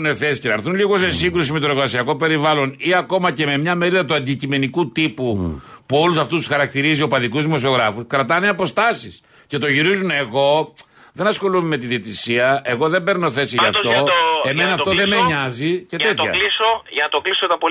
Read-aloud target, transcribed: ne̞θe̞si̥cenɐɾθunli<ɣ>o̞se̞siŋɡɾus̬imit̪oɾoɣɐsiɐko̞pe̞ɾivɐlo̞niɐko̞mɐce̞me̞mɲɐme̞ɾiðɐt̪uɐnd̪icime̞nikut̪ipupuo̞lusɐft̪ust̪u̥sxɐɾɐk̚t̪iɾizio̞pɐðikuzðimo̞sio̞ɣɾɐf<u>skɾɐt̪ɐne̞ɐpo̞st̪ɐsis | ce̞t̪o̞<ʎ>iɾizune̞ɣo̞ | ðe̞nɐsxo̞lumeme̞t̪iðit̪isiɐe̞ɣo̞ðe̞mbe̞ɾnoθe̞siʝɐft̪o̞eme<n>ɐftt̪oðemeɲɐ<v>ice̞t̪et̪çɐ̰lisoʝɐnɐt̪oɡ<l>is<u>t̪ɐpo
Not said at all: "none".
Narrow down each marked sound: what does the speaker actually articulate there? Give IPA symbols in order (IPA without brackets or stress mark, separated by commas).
ɣ, u, ʝ, n, z, l, o